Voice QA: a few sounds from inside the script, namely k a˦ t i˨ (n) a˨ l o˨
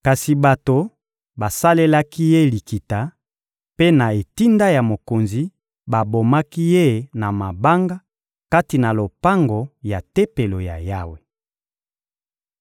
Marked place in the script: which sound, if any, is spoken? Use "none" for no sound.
n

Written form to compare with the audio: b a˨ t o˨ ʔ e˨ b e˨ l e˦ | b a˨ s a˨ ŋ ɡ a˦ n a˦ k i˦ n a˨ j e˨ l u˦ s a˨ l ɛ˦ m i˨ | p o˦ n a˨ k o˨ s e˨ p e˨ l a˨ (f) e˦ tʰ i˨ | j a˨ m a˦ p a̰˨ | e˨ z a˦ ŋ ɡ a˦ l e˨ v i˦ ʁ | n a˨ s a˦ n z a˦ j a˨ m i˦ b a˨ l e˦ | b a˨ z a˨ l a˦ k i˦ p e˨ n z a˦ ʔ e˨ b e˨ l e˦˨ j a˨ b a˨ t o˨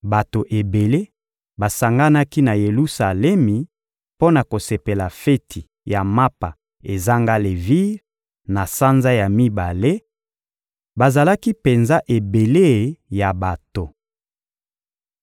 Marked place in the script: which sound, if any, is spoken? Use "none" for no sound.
f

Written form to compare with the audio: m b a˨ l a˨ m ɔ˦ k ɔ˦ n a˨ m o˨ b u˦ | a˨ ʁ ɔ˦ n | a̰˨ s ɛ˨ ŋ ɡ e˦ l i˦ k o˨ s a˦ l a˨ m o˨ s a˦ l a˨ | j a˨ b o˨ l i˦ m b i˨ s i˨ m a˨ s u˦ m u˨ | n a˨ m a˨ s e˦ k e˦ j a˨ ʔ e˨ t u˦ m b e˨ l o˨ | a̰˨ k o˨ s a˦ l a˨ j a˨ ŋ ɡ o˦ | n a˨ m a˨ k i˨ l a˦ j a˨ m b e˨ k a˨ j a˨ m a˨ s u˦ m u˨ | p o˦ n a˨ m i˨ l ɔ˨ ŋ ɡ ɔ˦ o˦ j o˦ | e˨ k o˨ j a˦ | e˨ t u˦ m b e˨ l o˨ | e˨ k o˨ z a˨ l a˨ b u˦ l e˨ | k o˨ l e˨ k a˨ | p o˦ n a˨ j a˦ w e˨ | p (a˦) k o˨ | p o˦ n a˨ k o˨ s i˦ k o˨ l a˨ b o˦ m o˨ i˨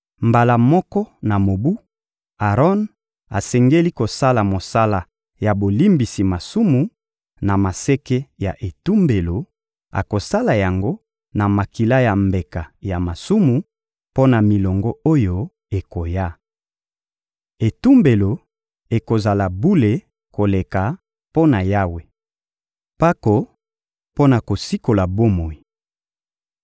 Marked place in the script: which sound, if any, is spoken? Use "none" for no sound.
a˦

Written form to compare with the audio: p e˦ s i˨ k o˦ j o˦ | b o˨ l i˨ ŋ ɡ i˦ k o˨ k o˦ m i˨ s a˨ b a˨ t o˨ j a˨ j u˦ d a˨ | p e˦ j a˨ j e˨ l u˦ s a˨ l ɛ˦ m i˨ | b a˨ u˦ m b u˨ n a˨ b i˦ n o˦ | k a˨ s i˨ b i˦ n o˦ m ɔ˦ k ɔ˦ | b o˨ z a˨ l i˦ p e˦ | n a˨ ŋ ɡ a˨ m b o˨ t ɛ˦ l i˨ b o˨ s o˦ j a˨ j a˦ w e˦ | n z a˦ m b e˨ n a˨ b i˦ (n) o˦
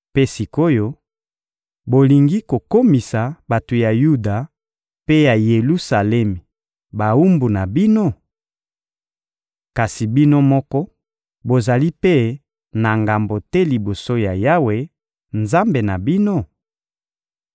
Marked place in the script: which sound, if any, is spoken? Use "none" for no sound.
n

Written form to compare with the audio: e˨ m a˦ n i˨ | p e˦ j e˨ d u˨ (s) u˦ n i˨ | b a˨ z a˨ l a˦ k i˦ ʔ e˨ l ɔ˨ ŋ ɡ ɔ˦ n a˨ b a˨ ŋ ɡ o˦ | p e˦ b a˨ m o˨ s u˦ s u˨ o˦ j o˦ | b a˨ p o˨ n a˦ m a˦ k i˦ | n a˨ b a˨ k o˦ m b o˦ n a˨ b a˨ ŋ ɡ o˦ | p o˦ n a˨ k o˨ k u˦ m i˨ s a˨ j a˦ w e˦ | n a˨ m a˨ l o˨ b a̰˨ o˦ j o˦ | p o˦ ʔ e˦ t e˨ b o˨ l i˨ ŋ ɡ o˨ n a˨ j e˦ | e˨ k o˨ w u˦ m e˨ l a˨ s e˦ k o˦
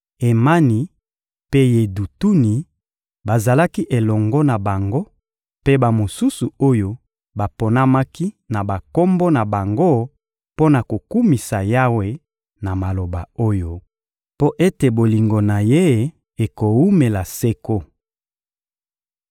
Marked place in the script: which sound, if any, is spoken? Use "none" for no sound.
t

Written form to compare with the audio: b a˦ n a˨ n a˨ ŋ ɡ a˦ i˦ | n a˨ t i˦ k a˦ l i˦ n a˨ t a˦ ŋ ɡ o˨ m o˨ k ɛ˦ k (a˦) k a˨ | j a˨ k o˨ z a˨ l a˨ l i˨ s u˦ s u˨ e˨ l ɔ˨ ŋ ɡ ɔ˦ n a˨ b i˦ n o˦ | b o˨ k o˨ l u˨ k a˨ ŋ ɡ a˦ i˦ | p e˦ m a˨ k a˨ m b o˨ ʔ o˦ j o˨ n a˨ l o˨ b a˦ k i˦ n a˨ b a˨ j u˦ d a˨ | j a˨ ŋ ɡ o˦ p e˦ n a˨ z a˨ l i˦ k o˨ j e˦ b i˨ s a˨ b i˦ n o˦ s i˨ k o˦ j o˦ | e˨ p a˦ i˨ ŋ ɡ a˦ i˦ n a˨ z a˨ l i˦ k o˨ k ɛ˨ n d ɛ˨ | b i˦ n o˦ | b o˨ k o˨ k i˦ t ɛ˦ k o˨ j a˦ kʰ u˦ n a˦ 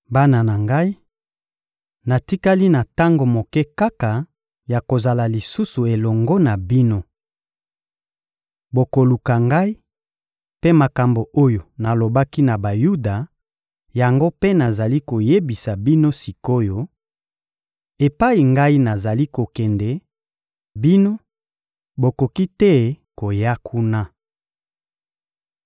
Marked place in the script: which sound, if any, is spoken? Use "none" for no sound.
a˦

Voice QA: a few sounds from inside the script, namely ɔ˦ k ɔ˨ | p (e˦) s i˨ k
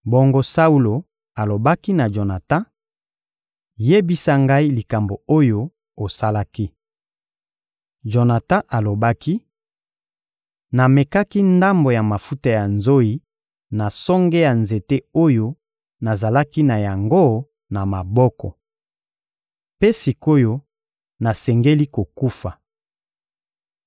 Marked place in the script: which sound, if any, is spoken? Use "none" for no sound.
e˦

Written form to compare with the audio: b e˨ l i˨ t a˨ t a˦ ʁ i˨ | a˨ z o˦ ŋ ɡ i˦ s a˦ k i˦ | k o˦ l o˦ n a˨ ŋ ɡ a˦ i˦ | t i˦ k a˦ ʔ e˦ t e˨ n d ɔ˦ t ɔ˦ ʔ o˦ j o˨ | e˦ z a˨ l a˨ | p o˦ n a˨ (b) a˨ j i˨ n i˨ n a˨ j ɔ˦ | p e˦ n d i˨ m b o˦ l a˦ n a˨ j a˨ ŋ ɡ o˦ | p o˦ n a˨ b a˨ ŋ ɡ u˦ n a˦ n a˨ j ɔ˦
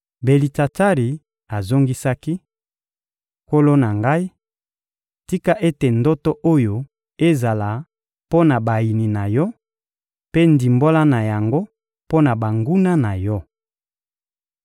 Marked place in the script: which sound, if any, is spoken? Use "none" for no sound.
b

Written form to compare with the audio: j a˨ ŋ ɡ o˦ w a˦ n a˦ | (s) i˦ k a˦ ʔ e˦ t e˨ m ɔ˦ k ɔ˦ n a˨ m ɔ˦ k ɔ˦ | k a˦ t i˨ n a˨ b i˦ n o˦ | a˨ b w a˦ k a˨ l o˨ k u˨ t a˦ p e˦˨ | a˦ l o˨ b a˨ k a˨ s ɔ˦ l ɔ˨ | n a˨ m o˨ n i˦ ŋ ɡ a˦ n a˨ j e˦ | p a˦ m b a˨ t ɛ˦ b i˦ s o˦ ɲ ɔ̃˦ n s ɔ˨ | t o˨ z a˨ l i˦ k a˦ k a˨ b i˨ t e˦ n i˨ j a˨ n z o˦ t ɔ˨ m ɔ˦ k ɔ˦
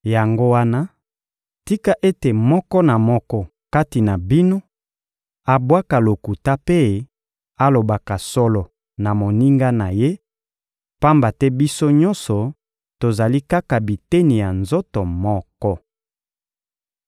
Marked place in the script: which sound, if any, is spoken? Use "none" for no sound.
t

